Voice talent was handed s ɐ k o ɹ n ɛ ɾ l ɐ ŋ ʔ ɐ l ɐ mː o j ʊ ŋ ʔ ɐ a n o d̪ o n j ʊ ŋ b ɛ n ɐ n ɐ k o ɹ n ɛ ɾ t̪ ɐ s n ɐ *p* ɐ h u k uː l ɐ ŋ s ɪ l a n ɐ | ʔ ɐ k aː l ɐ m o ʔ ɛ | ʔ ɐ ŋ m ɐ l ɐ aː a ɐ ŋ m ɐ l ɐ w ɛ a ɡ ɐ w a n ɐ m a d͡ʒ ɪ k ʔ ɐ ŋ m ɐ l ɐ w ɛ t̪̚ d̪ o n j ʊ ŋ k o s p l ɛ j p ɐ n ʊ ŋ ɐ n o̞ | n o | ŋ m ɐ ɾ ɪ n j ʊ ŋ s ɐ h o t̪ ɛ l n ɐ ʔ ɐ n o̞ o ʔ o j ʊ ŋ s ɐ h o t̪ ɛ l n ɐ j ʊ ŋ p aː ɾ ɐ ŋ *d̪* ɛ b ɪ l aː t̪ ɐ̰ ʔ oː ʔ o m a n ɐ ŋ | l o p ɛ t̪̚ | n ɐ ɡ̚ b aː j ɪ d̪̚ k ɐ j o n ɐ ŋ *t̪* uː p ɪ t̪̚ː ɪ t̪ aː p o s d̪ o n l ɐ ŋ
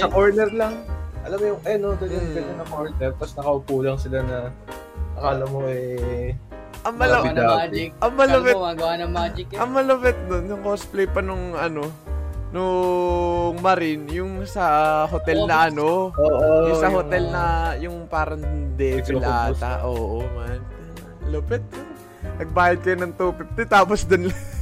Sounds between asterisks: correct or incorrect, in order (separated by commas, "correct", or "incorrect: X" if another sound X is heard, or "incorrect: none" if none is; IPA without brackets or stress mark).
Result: incorrect: k, correct, correct